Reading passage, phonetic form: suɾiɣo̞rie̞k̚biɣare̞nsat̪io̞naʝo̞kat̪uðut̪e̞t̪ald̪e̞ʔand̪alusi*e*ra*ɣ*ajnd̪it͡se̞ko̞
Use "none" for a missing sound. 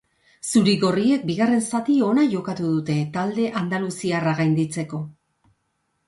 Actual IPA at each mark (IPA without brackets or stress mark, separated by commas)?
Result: a, ɣ